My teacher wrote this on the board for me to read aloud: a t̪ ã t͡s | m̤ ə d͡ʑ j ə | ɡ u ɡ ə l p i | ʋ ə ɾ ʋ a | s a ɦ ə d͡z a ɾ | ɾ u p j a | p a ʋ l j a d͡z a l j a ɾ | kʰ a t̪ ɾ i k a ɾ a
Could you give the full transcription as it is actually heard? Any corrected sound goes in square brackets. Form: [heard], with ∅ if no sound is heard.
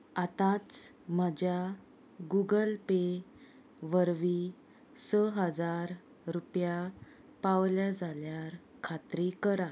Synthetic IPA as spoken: a t̪ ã t͡s | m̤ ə d͡ʑ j [a] | ɡ u ɡ ə l p [e] | ʋ ə ɾ ʋ [i] | s [ə] ɦ ə d͡z a ɾ | ɾ u p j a | p a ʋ l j a d͡z a l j a ɾ | kʰ a t̪ ɾ i k [ə] ɾ a